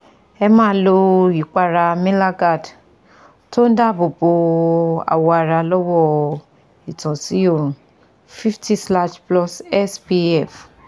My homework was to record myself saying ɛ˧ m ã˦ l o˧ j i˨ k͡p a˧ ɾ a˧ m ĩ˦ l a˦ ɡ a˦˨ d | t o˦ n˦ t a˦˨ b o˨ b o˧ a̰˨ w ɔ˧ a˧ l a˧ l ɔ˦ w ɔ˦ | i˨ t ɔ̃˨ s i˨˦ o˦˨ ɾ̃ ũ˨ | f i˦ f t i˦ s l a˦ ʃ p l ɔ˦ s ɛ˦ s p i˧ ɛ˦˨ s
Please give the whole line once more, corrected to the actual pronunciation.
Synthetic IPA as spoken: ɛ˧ m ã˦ l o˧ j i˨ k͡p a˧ ɾ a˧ m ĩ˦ l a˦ ɡ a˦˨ d | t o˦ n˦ d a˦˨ b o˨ b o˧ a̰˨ w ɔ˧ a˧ ɾ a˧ l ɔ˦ w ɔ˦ | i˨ t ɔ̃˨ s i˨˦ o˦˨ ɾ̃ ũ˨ | f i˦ f t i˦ s l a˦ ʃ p l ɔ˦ s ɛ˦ s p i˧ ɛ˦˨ f